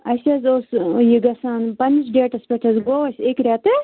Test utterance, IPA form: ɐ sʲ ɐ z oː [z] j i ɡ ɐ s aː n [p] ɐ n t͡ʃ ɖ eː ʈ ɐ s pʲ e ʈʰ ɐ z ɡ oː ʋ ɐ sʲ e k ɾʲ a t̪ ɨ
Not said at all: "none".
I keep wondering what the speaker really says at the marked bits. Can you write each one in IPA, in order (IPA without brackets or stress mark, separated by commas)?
s, p